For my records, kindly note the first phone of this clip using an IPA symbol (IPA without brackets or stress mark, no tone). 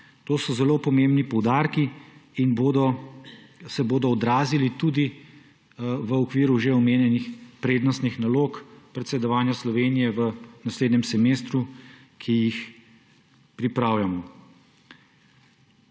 t̪